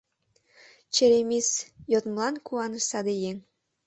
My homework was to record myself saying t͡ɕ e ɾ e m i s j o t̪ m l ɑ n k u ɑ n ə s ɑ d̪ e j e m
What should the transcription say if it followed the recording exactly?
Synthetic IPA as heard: t͡ɕ e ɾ e m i s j o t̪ m l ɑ n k u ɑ n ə ʃ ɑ d̪ e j e ŋ